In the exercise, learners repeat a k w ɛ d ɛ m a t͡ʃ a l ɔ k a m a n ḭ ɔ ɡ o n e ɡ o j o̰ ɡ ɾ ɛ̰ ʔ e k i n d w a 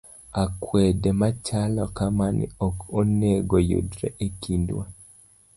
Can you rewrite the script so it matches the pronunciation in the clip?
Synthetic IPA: a k w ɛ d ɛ m a t͡ʃ a l ɔ k a m a n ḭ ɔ k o n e ɡ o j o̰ d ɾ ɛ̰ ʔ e k i n d w a